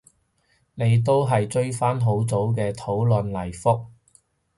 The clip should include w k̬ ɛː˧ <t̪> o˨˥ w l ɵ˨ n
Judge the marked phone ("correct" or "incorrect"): incorrect